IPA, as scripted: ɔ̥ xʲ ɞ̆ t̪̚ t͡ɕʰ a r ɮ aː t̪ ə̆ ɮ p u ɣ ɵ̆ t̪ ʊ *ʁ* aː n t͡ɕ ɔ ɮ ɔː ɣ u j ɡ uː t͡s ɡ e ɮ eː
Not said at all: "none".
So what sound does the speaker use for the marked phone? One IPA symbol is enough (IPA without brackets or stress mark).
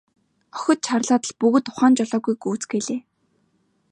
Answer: χ